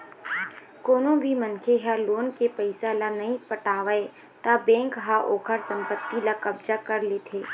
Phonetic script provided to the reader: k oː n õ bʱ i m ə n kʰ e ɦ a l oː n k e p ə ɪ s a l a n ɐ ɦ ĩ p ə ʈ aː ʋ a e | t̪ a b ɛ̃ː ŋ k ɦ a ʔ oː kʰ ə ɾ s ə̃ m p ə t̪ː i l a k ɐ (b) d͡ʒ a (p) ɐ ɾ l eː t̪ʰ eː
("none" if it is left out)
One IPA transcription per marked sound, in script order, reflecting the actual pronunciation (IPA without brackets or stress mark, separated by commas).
b, k